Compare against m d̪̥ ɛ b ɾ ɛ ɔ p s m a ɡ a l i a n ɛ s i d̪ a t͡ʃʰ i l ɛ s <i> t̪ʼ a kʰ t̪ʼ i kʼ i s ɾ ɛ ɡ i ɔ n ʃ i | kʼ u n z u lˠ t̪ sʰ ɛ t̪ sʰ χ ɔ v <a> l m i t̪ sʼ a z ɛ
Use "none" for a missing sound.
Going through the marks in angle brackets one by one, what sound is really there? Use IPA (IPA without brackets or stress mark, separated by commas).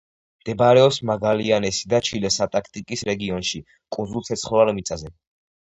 a, a